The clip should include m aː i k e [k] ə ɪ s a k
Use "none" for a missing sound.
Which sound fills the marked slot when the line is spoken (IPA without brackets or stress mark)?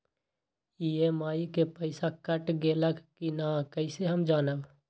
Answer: p